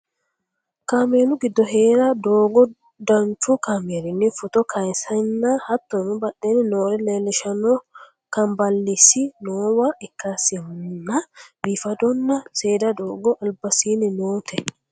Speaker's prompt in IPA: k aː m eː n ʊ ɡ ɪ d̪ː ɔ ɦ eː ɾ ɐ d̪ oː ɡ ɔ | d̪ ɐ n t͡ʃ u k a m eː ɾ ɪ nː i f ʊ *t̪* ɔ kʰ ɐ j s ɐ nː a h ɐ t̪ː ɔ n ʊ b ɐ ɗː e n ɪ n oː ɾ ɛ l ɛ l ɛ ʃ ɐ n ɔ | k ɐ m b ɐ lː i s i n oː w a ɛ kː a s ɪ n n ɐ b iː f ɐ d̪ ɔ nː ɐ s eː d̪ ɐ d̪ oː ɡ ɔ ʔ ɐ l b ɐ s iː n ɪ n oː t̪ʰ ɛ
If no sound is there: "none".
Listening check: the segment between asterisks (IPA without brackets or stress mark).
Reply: t̪